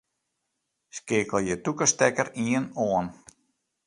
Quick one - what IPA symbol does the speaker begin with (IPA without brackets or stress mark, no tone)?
s